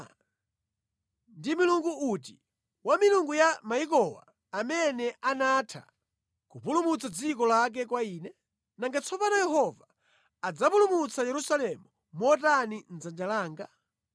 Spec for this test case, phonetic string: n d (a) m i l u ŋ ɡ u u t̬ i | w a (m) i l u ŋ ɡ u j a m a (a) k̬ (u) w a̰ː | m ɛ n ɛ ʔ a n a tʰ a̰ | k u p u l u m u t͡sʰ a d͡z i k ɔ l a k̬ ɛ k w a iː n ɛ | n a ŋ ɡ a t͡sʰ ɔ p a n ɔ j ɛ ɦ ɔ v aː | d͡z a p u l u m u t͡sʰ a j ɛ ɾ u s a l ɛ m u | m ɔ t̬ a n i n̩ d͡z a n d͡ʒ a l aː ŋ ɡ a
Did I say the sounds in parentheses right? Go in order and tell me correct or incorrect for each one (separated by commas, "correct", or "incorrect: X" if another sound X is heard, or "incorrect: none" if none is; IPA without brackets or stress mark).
incorrect: i, correct, incorrect: i, incorrect: ɔ